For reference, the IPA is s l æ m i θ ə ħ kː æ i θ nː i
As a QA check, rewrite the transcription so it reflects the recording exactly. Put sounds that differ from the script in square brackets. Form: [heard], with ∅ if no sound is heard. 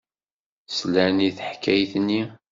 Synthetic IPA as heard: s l æ [n] i θ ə ħ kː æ [j] θ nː i